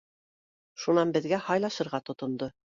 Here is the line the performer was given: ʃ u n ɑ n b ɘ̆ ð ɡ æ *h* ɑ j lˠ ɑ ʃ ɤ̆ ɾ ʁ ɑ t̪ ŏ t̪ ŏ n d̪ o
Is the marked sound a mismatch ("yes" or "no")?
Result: no